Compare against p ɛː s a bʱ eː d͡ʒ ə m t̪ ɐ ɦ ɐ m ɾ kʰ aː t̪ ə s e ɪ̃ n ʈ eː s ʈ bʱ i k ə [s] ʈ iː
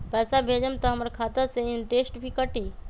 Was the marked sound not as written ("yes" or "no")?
yes